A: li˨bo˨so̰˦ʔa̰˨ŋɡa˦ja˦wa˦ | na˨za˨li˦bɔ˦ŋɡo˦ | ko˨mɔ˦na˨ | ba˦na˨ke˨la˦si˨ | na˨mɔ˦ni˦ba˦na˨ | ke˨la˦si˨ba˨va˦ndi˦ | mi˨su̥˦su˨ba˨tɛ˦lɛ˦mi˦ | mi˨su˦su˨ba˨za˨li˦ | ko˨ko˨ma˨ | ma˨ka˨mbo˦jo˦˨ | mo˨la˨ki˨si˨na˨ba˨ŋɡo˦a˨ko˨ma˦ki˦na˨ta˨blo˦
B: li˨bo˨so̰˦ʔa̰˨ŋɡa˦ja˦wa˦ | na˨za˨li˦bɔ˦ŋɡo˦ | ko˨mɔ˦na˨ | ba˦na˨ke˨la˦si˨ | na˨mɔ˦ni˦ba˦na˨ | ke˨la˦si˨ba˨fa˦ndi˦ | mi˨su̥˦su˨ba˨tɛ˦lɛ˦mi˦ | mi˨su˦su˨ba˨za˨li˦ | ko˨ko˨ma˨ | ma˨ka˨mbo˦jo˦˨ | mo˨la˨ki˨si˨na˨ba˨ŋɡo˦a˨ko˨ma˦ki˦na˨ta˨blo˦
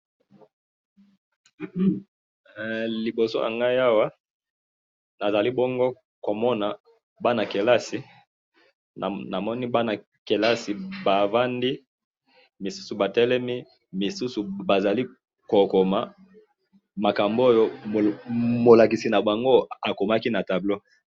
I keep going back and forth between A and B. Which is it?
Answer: A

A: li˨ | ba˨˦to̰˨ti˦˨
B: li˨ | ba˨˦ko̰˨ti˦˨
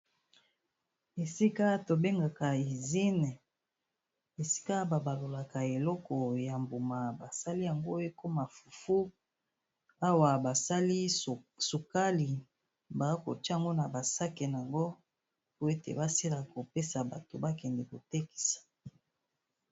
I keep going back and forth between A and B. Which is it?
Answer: B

